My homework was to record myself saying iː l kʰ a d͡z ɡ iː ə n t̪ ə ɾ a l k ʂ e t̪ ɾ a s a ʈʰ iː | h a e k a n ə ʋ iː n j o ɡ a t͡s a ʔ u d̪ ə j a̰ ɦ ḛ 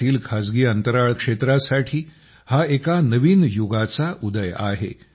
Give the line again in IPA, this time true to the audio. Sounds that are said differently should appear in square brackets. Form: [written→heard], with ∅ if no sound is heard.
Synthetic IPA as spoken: iː l kʰ a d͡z ɡ iː ə n t̪ ə ɾ a [l→ɭ] k ʂ e t̪ ɾ a s a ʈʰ iː | h a e k a n ə ʋ iː n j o ɡ a t͡s a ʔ u d̪ ə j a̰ ɦ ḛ